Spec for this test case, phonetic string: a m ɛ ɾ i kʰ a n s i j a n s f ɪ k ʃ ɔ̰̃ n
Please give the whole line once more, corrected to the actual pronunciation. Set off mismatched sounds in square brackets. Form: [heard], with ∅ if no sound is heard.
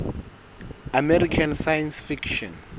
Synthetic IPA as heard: a m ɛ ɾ i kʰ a n s [a] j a n s f [i] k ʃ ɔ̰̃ n